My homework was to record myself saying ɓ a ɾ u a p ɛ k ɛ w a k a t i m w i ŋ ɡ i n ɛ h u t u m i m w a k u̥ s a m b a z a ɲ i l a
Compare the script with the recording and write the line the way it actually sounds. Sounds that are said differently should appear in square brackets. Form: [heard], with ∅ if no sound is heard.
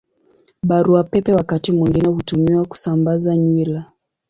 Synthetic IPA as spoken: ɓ a ɾ u a p ɛ [p] ɛ w a k a t i m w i ŋ ɡ i n ɛ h u t u m i [∅] w a k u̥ s a m b a z a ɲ i l a